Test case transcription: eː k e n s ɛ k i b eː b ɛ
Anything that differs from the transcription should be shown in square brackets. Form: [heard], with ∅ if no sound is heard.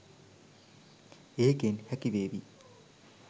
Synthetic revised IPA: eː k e n [h] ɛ k i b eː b [i]